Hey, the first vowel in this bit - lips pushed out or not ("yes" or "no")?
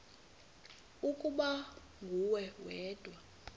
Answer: yes